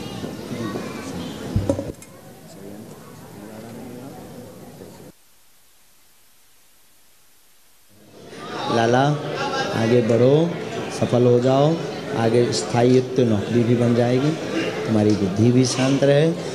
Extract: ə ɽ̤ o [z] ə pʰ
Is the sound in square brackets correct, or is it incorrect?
incorrect